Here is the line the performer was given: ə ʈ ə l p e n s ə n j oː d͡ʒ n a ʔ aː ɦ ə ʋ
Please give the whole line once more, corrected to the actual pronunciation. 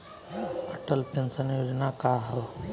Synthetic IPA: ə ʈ ə l p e n s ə n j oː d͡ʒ n a k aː ɦ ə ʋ